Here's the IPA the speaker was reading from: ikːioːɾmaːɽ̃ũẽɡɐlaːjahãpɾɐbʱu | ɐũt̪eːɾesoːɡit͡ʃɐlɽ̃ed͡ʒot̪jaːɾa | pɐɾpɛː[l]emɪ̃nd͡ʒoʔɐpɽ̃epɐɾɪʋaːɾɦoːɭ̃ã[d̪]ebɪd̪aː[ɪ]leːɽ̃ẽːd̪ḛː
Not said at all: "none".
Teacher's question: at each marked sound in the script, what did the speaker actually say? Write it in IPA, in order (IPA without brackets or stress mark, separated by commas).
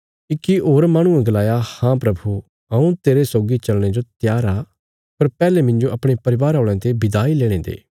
l, t̪, i